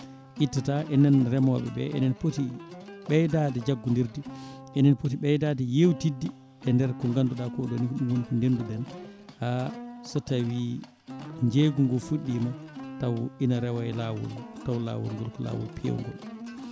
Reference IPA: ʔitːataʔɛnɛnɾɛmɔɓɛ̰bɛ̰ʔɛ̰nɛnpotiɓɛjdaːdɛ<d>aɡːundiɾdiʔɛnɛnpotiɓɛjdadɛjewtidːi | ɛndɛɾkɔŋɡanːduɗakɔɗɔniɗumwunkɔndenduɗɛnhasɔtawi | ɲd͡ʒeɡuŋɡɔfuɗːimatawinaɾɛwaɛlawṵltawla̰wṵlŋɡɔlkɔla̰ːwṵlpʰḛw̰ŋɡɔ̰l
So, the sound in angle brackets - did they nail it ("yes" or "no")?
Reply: no